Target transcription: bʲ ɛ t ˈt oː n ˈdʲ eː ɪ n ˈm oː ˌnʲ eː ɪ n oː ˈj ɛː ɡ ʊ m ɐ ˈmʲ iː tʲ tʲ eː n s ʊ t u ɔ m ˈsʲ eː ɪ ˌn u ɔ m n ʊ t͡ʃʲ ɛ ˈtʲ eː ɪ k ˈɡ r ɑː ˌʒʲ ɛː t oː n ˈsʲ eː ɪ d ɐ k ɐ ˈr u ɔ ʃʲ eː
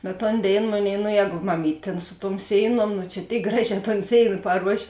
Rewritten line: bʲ ɛ t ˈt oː n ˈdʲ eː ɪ n ˈm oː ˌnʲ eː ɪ n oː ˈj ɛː ɡ ʊ m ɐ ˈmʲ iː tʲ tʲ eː n s ʊ t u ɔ m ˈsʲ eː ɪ ˌn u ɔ m n ʊ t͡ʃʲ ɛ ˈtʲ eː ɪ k ˈɡ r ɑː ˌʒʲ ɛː t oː n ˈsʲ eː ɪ n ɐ p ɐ ˈr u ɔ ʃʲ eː